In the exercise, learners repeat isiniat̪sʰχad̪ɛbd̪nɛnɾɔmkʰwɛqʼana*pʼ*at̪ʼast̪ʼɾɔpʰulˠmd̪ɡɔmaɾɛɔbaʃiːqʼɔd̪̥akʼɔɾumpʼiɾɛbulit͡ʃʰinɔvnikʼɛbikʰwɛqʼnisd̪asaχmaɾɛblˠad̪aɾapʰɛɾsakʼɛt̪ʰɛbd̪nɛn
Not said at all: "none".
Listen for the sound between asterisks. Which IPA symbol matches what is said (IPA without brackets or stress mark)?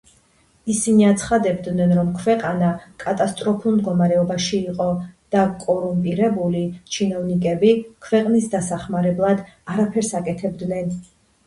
kʼ